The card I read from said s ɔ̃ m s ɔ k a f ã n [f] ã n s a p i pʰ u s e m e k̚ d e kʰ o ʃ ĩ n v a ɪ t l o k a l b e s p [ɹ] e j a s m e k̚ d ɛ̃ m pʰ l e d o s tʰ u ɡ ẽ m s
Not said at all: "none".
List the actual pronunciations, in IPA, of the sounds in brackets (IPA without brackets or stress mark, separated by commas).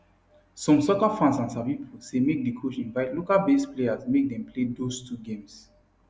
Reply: s, l